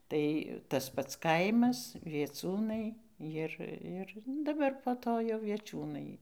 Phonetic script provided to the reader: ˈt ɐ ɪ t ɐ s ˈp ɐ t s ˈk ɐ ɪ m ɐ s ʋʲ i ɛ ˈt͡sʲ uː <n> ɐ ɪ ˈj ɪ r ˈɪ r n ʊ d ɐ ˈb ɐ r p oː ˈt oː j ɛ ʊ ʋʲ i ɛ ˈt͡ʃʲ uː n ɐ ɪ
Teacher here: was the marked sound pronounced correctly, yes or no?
yes